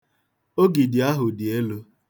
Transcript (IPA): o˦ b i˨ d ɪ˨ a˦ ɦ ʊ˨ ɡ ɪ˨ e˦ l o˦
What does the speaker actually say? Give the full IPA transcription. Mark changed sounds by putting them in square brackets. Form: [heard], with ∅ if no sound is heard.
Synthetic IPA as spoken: o˦ [ɡ] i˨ d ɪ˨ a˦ ɦ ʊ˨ [d] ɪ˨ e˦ l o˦